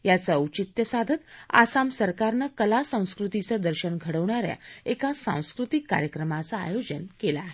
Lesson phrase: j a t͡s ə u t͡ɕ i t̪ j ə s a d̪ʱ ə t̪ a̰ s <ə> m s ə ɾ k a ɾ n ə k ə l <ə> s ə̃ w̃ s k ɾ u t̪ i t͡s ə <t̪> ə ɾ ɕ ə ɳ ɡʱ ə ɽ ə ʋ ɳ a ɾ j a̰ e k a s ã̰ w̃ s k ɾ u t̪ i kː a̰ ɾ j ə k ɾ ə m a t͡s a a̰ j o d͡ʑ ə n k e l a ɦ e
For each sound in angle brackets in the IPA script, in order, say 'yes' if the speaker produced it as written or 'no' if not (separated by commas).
no, no, no